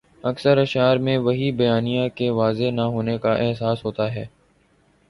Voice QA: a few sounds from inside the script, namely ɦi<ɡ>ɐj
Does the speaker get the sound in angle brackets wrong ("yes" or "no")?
yes